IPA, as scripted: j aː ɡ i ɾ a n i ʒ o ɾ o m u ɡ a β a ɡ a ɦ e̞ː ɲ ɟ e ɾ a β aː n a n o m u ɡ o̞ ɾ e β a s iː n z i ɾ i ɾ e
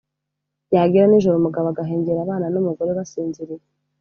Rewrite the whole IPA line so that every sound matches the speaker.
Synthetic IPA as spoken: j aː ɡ i ɾ a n i ʒ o ɾ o m u ɡ a β a ɡ a ɦ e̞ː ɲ ɟ e ɾ a β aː n a n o m u ɡ o̞ ɾ e β a s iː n z i ɾ i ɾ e